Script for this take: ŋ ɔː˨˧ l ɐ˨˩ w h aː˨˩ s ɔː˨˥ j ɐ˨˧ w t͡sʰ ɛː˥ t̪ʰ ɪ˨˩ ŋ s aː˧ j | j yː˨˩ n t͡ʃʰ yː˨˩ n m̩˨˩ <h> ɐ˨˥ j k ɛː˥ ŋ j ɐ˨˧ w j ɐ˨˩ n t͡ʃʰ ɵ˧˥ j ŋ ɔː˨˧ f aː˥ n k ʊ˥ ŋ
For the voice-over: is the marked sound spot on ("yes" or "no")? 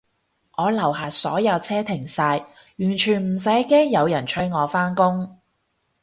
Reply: no